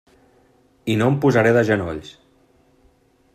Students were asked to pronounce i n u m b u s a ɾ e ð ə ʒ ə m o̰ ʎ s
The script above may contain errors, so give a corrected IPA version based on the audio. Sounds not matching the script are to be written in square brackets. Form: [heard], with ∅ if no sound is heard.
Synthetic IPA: i n [o] m [p] u [z] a ɾ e ð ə ʒ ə [n] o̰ ʎ s